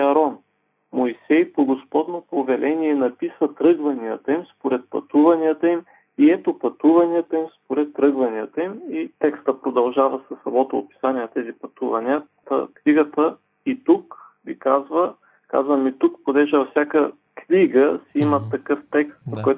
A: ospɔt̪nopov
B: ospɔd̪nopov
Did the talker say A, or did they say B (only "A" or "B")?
B